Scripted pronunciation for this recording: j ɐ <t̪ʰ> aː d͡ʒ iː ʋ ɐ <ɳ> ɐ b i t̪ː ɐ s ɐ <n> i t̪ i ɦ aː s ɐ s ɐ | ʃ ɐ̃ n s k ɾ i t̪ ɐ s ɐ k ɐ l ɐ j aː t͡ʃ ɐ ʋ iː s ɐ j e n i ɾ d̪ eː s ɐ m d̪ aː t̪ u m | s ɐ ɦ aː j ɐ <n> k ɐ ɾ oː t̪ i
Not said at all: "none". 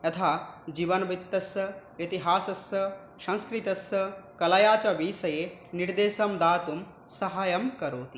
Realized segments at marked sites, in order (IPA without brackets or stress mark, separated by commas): t̪ʰ, n, none, m